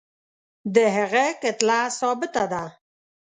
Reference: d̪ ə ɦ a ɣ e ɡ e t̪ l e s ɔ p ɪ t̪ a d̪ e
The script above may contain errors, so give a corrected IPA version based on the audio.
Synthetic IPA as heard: d̪ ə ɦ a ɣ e k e t̪ l a s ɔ b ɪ t̪ a d̪ a